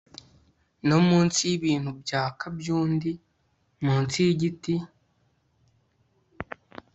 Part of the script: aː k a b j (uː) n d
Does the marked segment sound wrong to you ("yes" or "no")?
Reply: no